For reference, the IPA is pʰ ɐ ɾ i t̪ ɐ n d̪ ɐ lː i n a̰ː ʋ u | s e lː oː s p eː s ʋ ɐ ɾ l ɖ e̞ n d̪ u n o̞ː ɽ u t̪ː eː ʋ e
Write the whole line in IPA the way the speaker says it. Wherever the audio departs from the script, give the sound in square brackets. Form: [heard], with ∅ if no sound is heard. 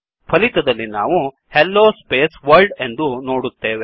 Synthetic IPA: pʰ ɐ [l] i t̪ ɐ [∅] d̪ ɐ lː i n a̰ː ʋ u | [h] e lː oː s p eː s ʋ ɐ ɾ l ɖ e̞ n d̪ u n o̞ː ɽ u t̪ː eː ʋ e